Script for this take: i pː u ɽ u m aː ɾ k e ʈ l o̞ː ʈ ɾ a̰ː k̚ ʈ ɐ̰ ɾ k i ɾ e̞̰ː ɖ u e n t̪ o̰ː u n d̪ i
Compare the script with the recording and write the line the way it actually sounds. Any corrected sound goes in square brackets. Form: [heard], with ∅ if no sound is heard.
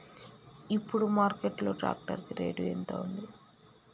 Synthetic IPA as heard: i pː u ɽ u m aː ɾ k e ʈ l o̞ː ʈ ɾ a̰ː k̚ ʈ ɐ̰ ɾ k i ɾ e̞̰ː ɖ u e n t̪ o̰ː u n d̪ i